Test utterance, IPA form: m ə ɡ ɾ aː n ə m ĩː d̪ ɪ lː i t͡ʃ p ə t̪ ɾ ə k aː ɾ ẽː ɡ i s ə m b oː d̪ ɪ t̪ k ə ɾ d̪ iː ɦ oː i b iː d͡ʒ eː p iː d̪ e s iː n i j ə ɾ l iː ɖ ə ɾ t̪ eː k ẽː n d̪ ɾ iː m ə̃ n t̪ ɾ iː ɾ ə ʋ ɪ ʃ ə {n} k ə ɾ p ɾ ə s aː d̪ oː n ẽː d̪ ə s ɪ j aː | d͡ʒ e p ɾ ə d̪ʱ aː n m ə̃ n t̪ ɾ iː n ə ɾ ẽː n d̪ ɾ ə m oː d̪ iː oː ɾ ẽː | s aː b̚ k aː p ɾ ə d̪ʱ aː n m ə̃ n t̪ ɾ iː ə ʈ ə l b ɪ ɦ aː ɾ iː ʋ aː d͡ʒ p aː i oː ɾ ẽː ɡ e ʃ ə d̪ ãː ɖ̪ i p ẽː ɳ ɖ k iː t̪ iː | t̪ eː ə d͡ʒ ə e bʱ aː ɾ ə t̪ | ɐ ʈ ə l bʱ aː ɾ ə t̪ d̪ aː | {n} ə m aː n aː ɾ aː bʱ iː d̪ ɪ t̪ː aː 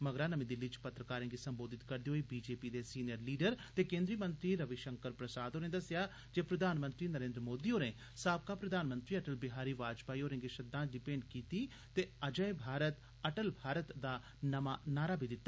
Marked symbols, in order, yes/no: no, yes

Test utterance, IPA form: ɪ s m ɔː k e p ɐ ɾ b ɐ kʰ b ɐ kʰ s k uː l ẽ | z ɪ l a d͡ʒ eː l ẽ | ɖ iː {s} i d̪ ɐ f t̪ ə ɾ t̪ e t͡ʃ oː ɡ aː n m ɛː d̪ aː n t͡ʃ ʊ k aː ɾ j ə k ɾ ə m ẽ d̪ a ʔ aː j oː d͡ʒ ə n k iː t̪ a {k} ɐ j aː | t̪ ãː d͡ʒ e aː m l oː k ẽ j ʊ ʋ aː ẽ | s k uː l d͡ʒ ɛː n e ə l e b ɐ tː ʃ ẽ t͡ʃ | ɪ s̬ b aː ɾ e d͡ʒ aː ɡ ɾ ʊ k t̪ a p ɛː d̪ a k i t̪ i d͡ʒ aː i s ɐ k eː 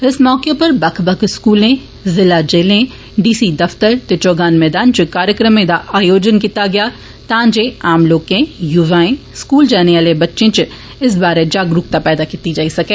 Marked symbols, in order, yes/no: yes, no

